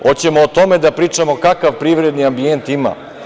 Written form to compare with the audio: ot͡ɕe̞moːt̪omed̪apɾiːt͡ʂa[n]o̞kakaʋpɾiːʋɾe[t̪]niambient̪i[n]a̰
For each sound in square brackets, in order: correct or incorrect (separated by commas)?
incorrect, incorrect, incorrect